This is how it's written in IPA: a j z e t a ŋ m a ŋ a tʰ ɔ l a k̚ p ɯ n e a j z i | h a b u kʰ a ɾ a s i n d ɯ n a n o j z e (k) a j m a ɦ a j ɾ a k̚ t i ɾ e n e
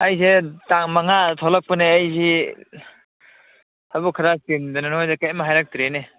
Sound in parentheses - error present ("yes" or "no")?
no